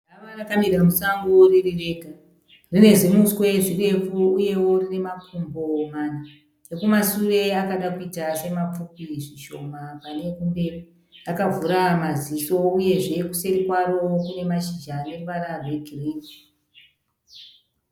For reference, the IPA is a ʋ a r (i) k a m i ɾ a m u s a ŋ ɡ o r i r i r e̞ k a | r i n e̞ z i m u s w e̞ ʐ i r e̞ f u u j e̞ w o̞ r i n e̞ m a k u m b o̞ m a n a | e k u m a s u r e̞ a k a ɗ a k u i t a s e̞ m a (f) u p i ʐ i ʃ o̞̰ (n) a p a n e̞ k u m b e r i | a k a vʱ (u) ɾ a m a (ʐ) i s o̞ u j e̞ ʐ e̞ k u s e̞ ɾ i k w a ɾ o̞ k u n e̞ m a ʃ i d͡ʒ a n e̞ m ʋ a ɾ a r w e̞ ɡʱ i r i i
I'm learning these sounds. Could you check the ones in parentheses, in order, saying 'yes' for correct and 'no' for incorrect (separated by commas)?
no, no, no, yes, no